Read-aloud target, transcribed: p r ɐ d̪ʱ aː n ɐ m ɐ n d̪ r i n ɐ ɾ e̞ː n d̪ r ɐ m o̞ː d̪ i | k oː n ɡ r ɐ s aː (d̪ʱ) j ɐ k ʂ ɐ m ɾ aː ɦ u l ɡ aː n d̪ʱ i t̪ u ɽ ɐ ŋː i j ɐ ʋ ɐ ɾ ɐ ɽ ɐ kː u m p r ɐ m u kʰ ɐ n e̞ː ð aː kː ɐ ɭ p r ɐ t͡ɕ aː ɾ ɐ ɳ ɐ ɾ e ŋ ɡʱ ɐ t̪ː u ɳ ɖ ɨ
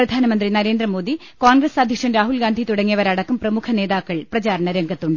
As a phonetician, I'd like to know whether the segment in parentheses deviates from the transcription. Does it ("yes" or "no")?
no